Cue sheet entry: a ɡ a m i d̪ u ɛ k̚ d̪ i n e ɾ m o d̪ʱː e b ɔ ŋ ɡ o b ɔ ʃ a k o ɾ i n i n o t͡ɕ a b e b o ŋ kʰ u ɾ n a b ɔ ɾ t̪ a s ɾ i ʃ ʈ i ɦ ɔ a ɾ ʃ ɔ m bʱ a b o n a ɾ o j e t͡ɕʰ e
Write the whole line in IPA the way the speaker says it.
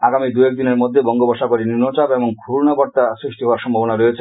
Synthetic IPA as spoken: a ɡ a m i d̪ u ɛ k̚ d̪ i n e ɾ m o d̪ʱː e b ɔ ŋ ɡ o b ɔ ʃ a k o ɾ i n i n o t͡ɕ a b e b o ŋ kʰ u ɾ n a b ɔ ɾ t̪ a s ɾ i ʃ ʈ i ɦ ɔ a ɾ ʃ ɔ m bʱ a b o n a ɾ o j e t͡ɕʰ e